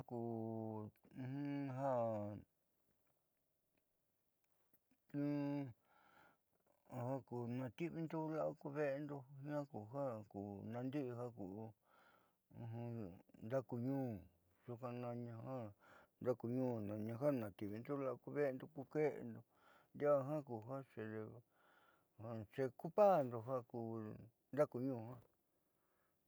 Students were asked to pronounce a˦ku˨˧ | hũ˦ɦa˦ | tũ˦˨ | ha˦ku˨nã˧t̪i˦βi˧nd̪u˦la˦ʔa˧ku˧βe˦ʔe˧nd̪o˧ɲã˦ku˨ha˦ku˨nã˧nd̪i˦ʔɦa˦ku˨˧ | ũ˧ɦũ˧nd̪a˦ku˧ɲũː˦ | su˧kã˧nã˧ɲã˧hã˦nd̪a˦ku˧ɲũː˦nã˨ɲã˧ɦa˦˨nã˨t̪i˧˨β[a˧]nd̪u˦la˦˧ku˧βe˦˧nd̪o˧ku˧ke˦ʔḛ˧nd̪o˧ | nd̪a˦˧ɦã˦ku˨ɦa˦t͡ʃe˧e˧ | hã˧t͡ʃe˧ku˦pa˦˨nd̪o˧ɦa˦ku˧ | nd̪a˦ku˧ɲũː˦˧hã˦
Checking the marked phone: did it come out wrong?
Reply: yes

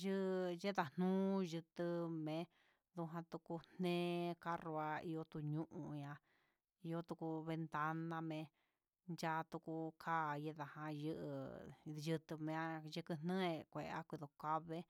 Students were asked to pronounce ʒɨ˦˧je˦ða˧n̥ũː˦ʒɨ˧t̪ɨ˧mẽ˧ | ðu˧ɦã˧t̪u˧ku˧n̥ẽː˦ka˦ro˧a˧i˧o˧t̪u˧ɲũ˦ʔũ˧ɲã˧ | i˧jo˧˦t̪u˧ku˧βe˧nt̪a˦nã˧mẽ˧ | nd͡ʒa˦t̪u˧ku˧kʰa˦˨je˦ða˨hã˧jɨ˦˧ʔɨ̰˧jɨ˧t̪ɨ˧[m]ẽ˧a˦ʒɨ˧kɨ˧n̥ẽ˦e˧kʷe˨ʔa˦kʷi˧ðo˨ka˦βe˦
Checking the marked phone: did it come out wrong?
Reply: no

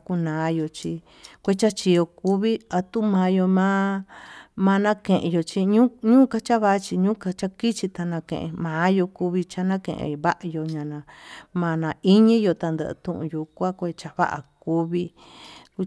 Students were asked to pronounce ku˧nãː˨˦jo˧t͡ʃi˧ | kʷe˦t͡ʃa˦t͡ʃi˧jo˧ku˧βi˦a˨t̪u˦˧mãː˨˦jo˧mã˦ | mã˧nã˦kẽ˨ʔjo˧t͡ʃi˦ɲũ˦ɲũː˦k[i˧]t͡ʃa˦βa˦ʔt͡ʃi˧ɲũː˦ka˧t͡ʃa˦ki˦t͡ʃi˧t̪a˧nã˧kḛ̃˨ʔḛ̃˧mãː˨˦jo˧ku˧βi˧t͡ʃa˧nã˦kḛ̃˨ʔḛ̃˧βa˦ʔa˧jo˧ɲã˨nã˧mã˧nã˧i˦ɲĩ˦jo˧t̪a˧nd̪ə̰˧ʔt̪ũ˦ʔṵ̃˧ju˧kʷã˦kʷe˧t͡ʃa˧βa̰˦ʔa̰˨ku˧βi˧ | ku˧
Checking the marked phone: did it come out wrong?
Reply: yes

